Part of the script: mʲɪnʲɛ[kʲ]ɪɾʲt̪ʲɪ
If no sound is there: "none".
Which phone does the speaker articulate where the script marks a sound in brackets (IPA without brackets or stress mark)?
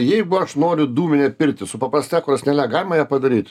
pʲ